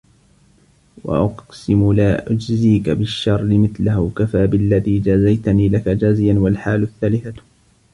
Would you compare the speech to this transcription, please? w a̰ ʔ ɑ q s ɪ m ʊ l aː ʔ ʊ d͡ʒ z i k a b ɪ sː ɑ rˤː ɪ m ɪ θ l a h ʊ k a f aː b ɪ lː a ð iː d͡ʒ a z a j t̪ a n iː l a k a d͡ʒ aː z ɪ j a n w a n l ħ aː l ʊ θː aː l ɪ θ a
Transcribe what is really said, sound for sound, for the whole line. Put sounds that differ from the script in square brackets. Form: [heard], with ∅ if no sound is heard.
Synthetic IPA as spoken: w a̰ ʔ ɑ q s ɪ m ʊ l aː ʔ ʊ d͡ʒ z [iː] k a b ɪ [ʃː] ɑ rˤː ɪ m ɪ θ l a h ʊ k a f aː b ɪ lː a ð iː d͡ʒ a z a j t̪ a n iː l a k a d͡ʒ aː z ɪ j a n w a [∅] l ħ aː l ʊ θː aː l ɪ θ a